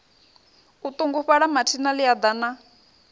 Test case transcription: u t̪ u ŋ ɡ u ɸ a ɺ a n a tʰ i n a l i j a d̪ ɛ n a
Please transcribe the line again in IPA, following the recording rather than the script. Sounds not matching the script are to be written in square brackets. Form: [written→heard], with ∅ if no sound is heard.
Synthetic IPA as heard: u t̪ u ŋ ɡ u ɸ a ɺ a [n→m] a tʰ i n a l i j a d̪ [ɛ→a] n a

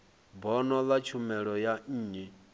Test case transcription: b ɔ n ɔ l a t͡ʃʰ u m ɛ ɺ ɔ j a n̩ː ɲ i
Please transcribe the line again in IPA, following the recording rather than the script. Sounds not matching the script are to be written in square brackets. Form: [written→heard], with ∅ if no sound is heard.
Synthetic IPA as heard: b ɔ n ɔ l a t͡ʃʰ u m ɛ ɺ ɔ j a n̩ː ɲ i

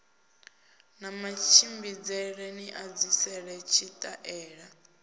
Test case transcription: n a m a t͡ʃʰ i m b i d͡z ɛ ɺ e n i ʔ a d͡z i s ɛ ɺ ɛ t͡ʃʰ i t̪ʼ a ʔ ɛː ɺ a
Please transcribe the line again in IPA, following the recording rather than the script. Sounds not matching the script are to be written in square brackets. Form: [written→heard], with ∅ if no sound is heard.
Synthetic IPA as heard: n a m a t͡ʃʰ i m b i d͡z ɛ ɺ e n i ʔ a d͡z i s ɛ ɺ ɛ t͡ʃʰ i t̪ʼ a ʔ ɛː ɺ a

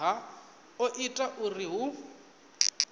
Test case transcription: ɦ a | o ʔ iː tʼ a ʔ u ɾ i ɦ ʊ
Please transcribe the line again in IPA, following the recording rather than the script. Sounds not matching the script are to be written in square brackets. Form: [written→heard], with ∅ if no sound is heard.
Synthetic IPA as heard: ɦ a | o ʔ [iː→i] tʼ a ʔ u [ɾ→r] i ɦ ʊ

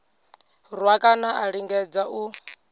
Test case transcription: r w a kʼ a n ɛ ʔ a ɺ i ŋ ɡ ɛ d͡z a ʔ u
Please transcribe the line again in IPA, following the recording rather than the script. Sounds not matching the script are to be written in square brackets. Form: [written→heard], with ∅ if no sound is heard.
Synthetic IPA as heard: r w a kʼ a n [ɛ→a] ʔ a ɺ i ŋ ɡ ɛ d͡z a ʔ u

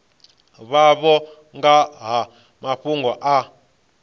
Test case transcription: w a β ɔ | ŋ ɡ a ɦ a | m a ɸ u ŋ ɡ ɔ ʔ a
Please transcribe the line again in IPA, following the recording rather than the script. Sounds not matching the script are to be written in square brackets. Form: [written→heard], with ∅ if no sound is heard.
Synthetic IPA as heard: [w→β] a β ɔ | ŋ ɡ a ɦ a | m a ɸ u ŋ ɡ ɔ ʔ a

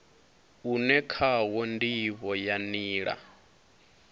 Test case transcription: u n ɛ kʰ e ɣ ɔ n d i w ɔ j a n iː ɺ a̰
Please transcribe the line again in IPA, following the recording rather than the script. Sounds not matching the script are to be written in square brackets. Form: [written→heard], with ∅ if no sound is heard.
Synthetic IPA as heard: u n ɛ kʰ [e→a] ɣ ɔ n d i [w→β] ɔ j a n iː ɺ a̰

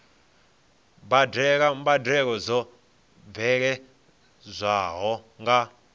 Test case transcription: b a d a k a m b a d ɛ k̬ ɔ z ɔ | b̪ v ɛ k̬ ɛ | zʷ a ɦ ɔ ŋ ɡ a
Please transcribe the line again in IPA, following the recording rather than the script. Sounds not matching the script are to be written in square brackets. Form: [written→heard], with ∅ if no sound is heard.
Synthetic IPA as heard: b a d [a→ɛ] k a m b a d ɛ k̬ ɔ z ɔ | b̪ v ɛ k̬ ɛ | zʷ a ɦ ɔ ŋ ɡ a

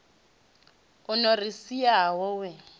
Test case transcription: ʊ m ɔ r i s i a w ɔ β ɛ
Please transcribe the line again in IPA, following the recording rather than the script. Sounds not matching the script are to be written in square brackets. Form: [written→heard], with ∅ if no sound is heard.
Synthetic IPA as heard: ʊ [m→n] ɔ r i s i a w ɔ [β→w] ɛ

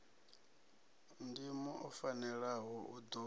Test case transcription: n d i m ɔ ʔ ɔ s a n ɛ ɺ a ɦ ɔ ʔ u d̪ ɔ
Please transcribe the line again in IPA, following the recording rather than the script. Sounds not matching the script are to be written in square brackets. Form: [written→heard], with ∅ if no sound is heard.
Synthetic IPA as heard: n d i m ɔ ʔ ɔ [s→f] a n ɛ ɺ a ɦ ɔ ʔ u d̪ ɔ

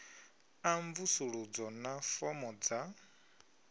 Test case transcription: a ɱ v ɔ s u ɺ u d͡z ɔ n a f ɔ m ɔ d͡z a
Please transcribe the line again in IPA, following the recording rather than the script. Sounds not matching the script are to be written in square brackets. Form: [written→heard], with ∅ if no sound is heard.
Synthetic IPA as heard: a ɱ v [ɔ→u] s u ɺ u d͡z ɔ n a f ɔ m ɔ d͡z a

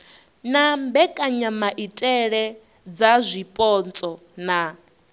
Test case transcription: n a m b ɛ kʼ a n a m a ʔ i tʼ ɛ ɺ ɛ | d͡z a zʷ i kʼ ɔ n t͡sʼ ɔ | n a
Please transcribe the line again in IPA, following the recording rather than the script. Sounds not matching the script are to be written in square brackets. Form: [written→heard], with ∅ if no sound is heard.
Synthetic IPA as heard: n a m b ɛ kʼ a [n→ɲ] a m a ʔ i tʼ ɛ ɺ ɛ | d͡z a zʷ i [kʼ→pʼ] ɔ n t͡sʼ ɔ | n a

